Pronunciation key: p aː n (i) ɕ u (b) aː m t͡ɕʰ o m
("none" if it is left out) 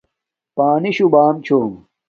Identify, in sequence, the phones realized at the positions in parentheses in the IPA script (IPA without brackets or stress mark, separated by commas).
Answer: i, b